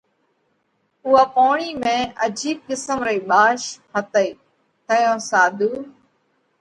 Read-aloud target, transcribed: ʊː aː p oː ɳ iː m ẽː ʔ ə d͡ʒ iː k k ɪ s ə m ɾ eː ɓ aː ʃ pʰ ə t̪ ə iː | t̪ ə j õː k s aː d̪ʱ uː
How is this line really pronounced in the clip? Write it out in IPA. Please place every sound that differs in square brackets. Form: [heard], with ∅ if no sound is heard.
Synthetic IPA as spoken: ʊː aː p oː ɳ iː m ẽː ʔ ə d͡ʒ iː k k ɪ s ə m ɾ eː ɓ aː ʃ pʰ ə t̪ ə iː | t̪ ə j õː [∅] s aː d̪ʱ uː